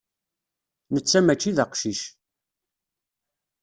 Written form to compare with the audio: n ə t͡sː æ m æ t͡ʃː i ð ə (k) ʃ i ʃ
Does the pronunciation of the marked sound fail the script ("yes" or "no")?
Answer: yes